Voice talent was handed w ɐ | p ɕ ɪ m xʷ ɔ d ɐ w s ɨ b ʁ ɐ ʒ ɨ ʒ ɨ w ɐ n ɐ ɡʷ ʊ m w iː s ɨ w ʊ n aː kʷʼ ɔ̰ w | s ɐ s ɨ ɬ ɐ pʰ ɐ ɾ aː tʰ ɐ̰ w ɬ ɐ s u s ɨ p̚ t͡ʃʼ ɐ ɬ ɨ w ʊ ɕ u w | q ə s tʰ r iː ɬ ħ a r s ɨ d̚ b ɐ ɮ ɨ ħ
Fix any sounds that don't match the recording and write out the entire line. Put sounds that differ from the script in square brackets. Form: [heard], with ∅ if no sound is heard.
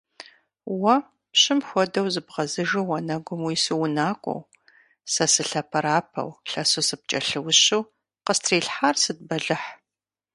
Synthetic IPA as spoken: w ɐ | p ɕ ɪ m xʷ ɔ d ɐ w [z] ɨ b ʁ ɐ [z] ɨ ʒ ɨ w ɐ n ɐ ɡʷ ʊ m w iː s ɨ w ʊ n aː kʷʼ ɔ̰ w | s ɐ s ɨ ɬ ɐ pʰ ɐ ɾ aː [pʰ] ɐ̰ w ɬ ɐ s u s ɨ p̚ t͡ʃʼ ɐ ɬ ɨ w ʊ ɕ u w | q ə s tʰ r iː ɬ ħ a r s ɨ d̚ b ɐ ɮ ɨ ħ